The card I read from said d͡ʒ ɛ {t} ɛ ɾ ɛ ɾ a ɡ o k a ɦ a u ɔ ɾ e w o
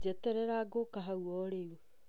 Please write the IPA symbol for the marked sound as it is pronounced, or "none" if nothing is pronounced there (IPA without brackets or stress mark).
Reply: t